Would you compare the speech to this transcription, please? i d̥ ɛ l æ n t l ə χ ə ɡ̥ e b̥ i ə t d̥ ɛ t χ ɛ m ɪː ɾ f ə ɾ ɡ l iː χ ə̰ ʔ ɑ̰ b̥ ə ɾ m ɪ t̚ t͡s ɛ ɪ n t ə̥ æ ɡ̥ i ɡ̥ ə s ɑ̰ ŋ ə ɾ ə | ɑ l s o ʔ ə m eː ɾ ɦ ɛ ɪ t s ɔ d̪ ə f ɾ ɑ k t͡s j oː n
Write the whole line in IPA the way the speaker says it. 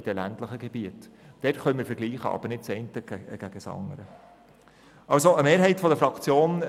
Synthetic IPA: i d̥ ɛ l æ n t l ə χ ə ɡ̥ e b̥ i ə t d̥ ɛ t χ œ m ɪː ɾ f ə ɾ ɡ l iː χ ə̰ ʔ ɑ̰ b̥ ə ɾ n ɪ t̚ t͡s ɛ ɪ n t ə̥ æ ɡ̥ æ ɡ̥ ə s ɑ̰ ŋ ə ɾ ə | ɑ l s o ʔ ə m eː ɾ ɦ ɛ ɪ t f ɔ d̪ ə f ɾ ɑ k t͡s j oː n

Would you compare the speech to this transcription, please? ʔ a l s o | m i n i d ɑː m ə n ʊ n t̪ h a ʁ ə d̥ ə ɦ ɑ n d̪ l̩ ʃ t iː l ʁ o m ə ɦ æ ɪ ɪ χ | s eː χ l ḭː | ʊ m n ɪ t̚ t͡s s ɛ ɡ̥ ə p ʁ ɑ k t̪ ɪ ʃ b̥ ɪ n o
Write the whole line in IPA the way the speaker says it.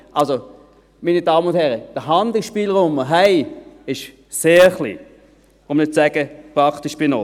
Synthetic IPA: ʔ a l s o | m i n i d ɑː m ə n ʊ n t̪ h ɛ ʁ ə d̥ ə ɦ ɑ n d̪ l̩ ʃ p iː l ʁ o m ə ɦ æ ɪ ɪ ʃ | s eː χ l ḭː | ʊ m n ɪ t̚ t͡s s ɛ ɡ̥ ə p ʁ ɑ k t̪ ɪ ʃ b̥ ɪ n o

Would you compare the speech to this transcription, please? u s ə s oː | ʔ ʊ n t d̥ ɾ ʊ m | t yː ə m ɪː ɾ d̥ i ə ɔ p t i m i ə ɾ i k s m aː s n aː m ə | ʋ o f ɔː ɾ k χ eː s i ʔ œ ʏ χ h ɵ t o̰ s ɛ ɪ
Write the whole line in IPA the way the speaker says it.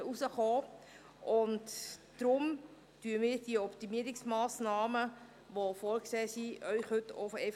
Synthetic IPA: u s ə χ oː | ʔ ʊ n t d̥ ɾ ʊ m | t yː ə m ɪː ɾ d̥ i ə ɔ p t i m i ə ɾ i k s m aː s n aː m ə | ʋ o f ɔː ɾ k s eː s i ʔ œ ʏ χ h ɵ t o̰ f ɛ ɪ

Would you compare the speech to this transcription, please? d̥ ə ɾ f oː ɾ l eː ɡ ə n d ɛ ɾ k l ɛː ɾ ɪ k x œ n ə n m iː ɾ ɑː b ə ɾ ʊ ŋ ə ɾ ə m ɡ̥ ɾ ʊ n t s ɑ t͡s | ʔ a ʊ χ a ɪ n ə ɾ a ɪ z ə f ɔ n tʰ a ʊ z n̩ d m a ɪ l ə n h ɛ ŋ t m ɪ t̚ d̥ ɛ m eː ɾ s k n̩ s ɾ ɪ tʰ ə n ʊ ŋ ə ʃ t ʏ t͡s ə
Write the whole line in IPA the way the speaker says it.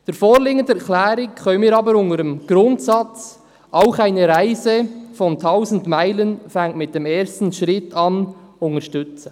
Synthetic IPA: d̥ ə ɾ f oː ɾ l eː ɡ ə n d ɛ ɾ k l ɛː ɾ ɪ k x œ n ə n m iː ɾ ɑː b ə ɾ ʊ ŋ ə ɾ ə m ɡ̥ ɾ ʊ n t s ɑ t͡s | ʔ a ʊ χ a ɪ n ə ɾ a ɪ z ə f ɔ n tʰ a ʊ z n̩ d m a ɪ l ə n f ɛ ŋ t m ɪ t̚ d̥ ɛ m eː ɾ s t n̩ ʃ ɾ ɪ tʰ ɑ n ʊ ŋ ə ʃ t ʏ t͡s ə

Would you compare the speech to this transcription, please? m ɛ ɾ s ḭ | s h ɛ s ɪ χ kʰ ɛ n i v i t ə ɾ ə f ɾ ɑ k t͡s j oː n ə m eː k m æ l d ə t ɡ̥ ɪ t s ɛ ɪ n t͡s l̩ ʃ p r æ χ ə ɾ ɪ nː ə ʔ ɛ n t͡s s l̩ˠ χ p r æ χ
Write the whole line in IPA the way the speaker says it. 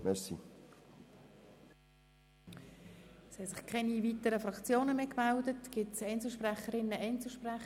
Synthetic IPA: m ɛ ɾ s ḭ | s h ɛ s ɪ χ kʰ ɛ n i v i t ə ɾ ə f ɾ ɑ k t͡s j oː n ə m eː k m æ l d ə t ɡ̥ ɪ t s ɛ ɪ n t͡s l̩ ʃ p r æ χ ə ɾ ɪ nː ə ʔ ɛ n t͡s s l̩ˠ ʃ p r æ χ

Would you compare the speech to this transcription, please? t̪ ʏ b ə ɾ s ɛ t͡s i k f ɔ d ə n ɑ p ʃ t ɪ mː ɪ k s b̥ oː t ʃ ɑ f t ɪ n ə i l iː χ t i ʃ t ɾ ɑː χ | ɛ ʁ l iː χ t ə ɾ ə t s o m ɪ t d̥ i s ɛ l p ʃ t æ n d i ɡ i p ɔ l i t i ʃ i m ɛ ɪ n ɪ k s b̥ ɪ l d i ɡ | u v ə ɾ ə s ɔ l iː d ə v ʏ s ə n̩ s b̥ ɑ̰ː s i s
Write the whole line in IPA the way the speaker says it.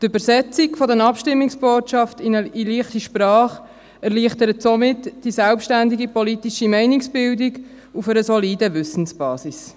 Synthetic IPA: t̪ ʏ b ə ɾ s ɛ t͡s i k f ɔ d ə n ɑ p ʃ t ɪ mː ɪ k s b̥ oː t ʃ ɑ f t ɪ n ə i l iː χ t i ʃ p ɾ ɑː χ | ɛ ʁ l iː χ t ə ɾ ə t s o m ɪ t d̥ i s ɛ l p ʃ t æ n d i ɡ i p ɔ l i t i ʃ i m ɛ ɪ n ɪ k s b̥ ɪ l d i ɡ | u f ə ɾ ə s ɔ l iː d ə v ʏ s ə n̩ s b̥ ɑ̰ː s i s

